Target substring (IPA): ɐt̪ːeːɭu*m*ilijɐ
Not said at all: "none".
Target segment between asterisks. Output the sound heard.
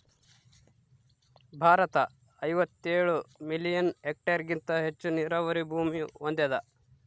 m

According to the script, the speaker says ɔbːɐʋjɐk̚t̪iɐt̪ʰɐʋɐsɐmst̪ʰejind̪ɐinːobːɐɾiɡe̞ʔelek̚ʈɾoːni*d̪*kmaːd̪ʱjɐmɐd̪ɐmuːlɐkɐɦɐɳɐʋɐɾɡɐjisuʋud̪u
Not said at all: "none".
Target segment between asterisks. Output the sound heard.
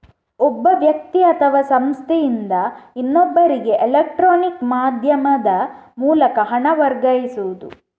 none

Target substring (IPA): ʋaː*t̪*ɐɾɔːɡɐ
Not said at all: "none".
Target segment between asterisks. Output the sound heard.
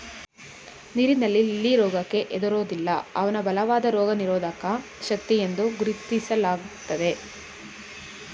d̪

